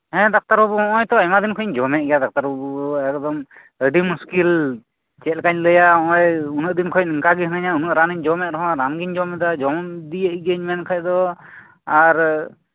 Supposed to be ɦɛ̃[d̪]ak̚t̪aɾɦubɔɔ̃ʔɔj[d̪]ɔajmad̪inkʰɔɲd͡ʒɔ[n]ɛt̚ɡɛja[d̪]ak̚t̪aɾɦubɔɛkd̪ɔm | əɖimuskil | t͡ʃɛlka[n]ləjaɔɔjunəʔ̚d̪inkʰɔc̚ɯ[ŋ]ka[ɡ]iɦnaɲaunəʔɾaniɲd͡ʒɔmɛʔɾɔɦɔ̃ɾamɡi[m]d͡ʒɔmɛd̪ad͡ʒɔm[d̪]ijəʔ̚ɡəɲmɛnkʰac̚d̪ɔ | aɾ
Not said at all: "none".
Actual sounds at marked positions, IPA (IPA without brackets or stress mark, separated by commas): d̪, t̪, m, d̪, ɲ, ŋ, ɡ, ɲ, d̪